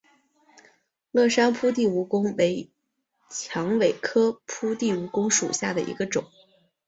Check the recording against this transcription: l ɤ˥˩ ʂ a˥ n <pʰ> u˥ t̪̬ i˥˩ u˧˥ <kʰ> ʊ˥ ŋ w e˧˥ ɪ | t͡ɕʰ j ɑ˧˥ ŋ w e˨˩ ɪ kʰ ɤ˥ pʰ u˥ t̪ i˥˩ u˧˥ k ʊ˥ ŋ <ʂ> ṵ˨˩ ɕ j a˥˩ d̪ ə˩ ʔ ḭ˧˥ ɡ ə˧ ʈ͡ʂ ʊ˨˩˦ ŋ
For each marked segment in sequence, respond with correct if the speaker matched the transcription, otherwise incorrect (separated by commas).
correct, incorrect, correct